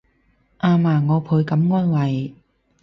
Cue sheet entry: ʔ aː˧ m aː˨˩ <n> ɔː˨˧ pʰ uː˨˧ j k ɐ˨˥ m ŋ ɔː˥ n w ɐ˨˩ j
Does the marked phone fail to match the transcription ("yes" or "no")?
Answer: yes